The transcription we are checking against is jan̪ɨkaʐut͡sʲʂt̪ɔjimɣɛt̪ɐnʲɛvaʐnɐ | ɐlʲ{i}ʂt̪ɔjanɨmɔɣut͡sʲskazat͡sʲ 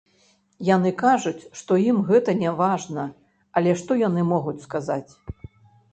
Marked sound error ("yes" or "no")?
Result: yes